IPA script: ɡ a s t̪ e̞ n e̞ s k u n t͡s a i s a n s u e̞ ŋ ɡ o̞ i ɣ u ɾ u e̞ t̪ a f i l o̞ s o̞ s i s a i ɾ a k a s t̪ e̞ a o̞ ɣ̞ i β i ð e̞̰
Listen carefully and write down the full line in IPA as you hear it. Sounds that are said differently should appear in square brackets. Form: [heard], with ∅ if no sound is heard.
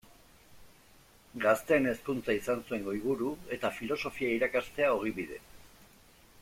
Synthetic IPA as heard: ɡ a s t̪ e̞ n e̞ s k u n t͡s a i s a n s u e̞ ŋ ɡ o̞ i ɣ u ɾ u e̞ t̪ a f i l o̞ s o̞ [f] i [∅] a i ɾ a k a s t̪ e̞ a o̞ ɣ̞ i β i ð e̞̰